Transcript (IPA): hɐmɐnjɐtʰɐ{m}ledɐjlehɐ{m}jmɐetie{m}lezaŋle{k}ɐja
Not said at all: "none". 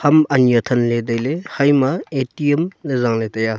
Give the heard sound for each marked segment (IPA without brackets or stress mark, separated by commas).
n, none, m, t